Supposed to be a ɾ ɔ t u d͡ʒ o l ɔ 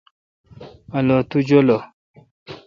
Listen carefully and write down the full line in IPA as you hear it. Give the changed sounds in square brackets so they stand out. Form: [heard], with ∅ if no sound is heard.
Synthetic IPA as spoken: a [l] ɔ t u d͡ʒ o l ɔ